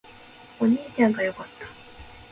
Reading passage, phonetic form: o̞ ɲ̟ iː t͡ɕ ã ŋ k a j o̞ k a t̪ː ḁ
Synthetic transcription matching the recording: o̞ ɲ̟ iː t͡ɕ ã ŋ ɡ a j o̞ k a t̪ː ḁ